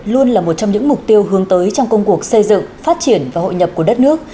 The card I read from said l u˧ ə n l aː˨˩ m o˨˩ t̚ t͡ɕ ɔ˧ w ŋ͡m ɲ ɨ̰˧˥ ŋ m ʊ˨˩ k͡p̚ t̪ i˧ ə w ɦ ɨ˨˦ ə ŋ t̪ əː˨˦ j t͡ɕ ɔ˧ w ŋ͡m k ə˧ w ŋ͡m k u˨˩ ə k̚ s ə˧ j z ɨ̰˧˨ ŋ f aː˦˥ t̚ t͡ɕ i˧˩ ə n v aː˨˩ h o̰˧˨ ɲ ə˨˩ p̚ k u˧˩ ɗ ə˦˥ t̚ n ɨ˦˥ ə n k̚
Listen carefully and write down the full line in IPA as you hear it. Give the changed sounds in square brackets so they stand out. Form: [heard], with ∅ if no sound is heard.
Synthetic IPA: l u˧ ə n l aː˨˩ m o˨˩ t̚ t͡ɕ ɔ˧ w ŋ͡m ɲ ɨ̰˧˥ ŋ m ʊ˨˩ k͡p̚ t̪ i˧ ə w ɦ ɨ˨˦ ə ŋ t̪ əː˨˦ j t͡ɕ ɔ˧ w ŋ͡m k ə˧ w ŋ͡m k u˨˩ ə k̚ s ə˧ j z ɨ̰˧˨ ŋ f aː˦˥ t̚ t͡ɕ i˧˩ ə n v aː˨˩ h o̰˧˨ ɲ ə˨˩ p̚ k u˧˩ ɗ ə˦˥ t̚ n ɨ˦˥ ə [∅] k̚